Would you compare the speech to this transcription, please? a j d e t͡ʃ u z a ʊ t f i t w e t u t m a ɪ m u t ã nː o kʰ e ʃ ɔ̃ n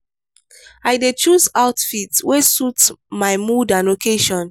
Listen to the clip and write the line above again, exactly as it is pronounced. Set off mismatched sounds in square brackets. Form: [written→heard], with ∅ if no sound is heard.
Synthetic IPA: a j d e t͡ʃ u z a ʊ t f i t w e [t→s] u t m a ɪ m u [t→d] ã [nː→n] o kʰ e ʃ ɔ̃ n